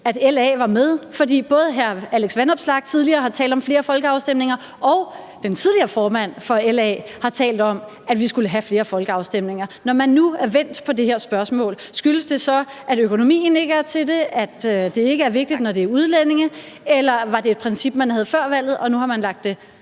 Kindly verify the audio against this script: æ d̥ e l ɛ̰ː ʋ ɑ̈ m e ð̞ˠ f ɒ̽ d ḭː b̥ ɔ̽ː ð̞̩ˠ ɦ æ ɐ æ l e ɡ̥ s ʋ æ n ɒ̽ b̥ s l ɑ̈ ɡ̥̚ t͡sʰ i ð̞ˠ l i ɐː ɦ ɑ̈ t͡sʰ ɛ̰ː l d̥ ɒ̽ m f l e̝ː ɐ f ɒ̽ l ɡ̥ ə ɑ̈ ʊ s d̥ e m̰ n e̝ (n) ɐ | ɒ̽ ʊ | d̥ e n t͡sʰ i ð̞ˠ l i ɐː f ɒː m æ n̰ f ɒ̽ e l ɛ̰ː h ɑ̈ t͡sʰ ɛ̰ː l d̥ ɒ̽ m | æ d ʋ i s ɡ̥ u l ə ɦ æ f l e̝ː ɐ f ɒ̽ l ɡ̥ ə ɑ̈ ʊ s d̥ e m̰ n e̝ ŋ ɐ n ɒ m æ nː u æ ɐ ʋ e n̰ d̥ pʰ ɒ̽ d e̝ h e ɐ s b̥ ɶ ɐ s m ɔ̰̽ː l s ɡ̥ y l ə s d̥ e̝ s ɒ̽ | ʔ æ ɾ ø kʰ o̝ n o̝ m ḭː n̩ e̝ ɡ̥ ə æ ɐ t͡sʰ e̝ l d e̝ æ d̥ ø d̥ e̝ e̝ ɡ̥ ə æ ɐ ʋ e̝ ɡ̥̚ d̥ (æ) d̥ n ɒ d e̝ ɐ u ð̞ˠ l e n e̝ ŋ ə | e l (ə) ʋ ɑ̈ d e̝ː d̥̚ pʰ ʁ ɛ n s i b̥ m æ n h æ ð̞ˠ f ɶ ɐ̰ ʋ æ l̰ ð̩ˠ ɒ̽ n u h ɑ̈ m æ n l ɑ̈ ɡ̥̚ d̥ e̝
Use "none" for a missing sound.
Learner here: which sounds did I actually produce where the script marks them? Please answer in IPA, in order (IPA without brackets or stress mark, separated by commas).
ŋ, i, ɐ